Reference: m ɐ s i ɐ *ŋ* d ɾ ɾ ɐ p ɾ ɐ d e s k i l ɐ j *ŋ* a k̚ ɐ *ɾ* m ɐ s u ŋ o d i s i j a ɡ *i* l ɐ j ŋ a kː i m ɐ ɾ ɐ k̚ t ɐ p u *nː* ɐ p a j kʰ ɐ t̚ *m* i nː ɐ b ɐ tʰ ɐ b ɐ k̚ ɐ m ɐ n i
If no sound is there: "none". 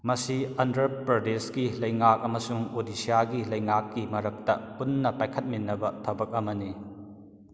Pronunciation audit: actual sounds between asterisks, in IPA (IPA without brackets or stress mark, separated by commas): n, ŋ, none, i, nː, m